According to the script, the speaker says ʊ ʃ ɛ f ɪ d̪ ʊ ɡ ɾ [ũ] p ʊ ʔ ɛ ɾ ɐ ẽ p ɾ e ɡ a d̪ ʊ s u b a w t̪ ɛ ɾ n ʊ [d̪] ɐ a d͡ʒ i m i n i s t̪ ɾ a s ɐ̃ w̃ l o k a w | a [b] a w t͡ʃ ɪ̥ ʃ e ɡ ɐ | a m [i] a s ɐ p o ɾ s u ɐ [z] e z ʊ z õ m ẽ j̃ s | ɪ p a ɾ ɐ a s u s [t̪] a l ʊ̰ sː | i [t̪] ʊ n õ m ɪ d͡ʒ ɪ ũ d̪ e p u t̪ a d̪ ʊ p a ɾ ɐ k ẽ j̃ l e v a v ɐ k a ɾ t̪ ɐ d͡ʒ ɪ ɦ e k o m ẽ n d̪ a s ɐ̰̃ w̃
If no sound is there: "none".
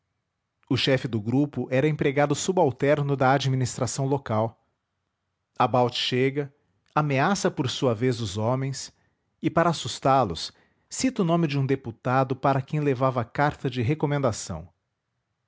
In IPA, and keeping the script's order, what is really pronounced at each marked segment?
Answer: u, d̪, b, e, v, t̪, t̪

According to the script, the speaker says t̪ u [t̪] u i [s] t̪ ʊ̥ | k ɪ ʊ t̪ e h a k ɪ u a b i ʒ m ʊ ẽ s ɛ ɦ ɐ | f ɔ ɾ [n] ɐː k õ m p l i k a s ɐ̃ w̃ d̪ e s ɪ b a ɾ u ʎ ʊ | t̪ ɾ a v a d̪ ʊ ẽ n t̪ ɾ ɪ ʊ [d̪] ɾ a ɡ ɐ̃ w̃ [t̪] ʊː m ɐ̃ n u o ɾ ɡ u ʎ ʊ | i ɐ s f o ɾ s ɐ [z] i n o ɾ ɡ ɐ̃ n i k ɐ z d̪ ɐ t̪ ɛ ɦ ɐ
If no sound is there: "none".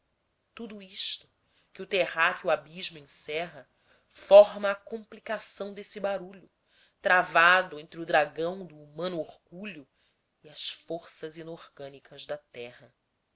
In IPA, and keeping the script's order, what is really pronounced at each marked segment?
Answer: d̪, ʃ, m, d̪, d̪, z

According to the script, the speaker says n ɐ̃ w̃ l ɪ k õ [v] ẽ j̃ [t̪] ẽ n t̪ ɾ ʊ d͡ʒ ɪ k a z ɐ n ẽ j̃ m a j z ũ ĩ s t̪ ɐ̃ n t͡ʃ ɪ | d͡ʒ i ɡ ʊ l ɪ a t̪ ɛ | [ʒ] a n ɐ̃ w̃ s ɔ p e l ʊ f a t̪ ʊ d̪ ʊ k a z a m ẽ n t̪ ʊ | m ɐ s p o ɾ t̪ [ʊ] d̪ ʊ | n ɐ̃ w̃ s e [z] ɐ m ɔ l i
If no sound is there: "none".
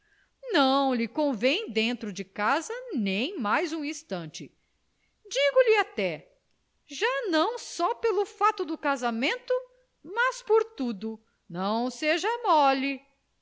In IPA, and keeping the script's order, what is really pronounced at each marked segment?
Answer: v, d̪, ʒ, u, ʒ

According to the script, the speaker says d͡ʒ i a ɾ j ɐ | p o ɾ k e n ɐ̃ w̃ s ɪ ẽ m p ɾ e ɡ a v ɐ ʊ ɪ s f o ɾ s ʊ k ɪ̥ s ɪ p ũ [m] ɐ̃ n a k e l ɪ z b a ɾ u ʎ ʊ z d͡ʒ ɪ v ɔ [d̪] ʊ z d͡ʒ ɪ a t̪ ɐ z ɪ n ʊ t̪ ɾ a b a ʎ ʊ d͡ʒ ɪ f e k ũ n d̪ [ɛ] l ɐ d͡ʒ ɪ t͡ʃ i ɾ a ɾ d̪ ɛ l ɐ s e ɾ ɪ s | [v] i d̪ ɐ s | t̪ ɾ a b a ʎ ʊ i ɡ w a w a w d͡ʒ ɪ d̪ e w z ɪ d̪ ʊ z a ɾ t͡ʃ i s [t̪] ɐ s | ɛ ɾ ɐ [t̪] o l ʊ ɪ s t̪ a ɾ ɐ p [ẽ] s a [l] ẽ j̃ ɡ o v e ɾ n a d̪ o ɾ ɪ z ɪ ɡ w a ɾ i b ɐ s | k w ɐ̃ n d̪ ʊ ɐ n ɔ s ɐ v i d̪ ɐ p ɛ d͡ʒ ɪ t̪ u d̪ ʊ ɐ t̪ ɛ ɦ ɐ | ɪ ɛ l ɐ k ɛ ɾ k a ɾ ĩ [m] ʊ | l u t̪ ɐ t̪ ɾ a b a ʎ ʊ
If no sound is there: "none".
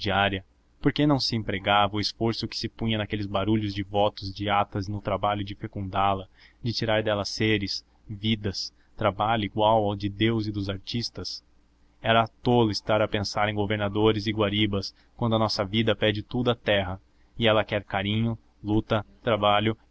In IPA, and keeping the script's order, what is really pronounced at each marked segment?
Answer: ɲ, t̪, a, v, t̪, t̪, ẽ, ɾ, ɲ

